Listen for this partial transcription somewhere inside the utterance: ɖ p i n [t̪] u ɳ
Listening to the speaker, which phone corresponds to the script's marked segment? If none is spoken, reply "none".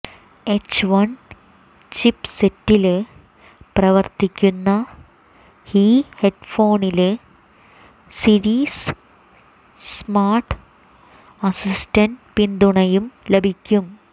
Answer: d̪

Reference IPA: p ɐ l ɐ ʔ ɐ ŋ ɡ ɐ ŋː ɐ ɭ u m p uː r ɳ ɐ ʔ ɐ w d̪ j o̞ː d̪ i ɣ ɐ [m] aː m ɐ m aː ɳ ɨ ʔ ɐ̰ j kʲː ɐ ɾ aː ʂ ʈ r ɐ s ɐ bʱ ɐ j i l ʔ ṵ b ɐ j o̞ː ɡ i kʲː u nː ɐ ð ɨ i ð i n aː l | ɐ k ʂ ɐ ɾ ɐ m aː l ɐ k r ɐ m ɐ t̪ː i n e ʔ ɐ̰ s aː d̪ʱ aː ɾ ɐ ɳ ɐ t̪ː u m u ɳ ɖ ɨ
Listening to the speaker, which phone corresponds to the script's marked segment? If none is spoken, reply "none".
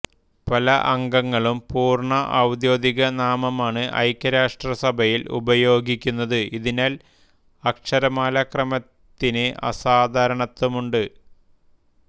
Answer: n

